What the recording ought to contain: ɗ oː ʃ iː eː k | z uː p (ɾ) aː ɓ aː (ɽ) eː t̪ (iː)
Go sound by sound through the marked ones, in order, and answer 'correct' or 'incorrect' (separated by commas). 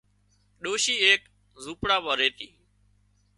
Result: incorrect, incorrect, correct